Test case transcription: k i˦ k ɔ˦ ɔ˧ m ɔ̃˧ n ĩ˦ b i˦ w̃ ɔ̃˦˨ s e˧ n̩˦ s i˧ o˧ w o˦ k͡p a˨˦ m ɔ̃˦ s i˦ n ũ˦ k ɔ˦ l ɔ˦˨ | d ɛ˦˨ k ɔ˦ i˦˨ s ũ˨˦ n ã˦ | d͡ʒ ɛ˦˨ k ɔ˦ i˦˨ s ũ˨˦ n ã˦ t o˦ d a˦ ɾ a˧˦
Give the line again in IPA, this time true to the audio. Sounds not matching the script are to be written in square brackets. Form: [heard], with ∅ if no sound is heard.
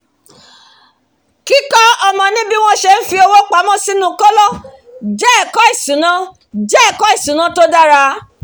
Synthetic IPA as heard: k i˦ k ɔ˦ ɔ˧ m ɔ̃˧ n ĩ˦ b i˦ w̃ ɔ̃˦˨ [ʃ] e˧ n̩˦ [f] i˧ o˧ w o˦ k͡p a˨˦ m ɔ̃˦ s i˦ n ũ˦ k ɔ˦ l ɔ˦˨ | [d͡ʒ] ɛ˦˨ k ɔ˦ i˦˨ s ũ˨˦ n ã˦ | d͡ʒ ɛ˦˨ k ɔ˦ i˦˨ s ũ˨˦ n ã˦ t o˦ d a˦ ɾ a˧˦